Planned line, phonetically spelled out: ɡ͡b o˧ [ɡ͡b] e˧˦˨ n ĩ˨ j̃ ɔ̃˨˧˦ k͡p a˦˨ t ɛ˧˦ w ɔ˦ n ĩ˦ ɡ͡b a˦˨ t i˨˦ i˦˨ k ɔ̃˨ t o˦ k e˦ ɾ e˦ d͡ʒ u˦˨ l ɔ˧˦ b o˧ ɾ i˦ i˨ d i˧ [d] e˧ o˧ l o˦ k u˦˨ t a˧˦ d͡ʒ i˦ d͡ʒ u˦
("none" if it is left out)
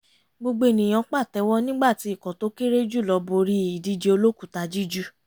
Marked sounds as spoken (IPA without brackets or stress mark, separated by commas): ɡ͡b, d͡ʒ